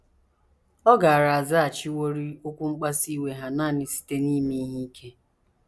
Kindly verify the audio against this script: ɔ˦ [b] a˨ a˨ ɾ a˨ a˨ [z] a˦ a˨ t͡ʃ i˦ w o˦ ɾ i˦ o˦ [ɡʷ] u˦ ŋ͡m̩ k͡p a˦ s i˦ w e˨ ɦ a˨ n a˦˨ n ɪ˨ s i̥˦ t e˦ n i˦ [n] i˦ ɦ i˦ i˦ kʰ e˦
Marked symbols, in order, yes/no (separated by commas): no, yes, no, no